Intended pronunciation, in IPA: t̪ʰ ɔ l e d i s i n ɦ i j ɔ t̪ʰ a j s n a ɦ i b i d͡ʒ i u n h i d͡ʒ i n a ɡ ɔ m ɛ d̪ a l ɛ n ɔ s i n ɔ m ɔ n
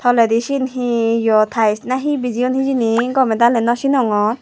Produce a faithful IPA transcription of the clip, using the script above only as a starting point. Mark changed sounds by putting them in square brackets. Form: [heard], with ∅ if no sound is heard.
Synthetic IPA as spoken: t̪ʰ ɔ l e d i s i n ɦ i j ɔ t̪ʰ a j s n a ɦ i b i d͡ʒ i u n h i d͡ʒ i n [i] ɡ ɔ m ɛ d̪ a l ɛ n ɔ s i n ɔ [ŋ] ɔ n